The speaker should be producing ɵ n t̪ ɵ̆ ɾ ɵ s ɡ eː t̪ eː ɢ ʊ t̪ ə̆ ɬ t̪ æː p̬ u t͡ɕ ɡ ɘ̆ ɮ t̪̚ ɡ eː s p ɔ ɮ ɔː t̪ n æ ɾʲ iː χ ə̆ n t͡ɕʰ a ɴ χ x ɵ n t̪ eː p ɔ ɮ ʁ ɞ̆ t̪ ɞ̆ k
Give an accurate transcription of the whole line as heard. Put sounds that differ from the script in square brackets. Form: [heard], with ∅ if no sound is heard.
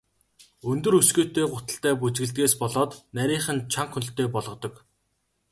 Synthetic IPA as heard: ɵ n t̪ ɵ̆ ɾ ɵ s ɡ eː t̪ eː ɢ ʊ t̪ ə̆ ɬ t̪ æː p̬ u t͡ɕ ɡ ɘ̆ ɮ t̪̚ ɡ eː s p ɔ ɮ ɔː t̪ n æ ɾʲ iː χ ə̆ n t͡ɕʰ a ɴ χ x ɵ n t̪ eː p ɔ ɮ ʁ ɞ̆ t̪ ɞ̆ k